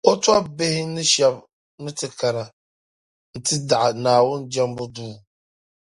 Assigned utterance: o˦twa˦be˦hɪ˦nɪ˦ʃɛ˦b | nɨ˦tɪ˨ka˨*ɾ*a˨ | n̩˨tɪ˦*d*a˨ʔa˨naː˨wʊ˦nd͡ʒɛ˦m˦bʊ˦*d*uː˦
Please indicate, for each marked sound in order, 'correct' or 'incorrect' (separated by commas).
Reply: correct, correct, correct